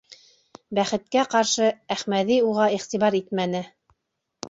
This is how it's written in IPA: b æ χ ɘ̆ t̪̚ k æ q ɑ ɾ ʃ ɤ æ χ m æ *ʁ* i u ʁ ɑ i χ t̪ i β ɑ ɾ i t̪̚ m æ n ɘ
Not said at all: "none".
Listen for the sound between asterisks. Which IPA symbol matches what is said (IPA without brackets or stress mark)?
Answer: ð